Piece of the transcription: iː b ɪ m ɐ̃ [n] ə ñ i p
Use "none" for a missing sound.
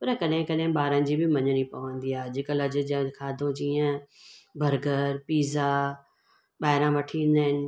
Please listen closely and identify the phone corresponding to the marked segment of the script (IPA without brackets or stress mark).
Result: ɲ